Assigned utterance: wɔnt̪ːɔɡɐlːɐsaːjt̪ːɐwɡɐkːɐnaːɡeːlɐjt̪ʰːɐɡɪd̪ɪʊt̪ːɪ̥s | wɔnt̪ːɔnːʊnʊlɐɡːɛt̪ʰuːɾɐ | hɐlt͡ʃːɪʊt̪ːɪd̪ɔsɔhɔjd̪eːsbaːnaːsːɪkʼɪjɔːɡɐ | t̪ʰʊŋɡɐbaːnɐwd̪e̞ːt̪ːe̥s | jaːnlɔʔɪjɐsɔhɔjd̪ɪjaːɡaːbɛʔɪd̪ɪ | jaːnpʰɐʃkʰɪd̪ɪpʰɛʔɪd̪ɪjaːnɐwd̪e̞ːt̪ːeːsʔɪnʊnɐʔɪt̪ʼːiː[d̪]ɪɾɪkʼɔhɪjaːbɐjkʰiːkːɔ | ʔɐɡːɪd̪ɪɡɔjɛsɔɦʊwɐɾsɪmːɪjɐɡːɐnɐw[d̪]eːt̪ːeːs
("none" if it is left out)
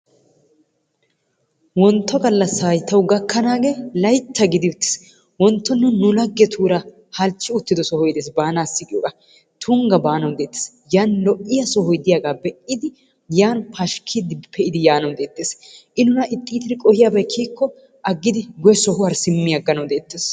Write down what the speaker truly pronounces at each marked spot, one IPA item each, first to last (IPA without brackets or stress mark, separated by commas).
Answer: t̪, d̪